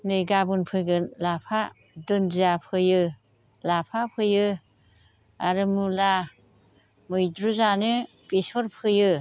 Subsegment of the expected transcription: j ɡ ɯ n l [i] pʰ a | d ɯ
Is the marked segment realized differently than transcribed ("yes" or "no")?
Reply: yes